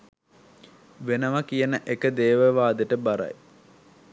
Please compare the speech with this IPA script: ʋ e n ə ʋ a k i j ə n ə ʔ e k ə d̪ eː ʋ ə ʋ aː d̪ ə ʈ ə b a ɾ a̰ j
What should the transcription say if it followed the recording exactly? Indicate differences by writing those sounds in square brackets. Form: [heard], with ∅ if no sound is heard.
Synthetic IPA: ʋ e n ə ʋ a k i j ə n ə ʔ e k ə d̪ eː ʋ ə ʋ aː d̪ ə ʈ ə b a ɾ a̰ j